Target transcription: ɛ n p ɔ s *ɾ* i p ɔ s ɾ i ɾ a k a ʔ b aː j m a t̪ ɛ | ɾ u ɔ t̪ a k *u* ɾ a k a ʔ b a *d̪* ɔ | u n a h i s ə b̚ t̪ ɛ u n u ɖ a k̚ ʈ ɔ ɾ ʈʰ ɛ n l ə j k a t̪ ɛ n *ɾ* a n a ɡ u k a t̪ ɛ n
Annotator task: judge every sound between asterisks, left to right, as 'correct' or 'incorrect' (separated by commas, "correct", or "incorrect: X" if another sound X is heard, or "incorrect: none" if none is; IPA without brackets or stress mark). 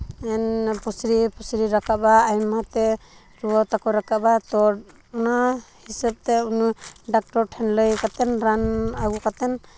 correct, incorrect: ɔ, incorrect: t̪, correct